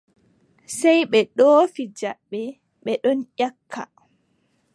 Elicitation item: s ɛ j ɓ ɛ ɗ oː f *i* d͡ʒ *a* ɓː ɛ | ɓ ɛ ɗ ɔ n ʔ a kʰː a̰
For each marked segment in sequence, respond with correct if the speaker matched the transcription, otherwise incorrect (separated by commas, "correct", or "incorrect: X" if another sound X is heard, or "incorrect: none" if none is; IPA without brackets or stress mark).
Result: correct, correct